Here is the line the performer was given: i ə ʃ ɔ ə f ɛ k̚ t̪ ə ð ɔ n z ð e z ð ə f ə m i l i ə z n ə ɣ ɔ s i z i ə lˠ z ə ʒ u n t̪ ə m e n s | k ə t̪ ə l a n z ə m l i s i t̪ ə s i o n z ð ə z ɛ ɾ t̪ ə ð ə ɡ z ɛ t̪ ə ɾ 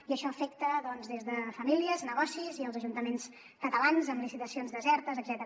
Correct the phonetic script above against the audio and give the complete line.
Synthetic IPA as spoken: i ə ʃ ɔ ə f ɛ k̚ t̪ ə ð ɔ n z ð e z ð ə f ə m i l i ə z n ə ɣ ɔ s i z i ə lˠ z ə ʒ u n t̪ ə m e n s | k ə t̪ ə l a n z ə m l i s i t̪ ə s i o n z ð ə z ɛ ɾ t̪ ə z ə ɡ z ɛ t̪ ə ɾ